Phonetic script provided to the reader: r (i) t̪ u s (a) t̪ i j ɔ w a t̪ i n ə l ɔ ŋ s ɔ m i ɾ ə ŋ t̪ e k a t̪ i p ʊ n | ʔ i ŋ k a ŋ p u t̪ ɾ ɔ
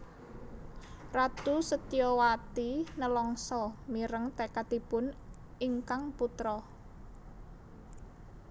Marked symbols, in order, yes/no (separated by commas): no, no